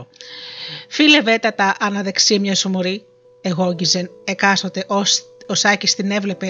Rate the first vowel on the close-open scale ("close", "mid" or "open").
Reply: close